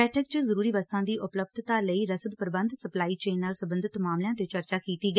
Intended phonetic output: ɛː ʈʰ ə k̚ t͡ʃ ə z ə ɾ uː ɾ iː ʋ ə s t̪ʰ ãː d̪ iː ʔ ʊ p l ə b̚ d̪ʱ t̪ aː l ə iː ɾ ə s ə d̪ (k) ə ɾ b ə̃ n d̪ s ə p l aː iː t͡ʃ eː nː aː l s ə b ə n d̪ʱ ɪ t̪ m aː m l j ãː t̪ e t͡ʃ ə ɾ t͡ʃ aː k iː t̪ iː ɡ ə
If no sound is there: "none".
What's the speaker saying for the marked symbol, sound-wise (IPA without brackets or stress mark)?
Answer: p